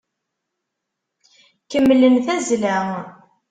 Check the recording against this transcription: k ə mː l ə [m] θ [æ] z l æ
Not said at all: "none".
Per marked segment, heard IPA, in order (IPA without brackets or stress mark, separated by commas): n, æ